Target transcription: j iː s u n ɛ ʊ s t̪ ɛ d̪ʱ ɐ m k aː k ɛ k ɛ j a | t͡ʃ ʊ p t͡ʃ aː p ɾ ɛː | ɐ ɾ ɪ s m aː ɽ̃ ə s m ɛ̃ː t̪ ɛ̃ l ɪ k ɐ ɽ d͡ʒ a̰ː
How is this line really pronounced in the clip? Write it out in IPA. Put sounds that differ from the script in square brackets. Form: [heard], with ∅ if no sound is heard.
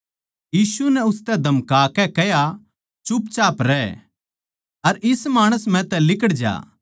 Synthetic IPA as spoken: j iː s u n ɛ ʊ s t̪ ɛ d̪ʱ ɐ m k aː k ɛ k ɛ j a | t͡ʃ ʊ p t͡ʃ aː p ɾ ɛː | ɐ ɾ ɪ s m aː ɽ̃ ə s m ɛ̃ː t̪ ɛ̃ l ɪ k [ə] ɽ d͡ʒ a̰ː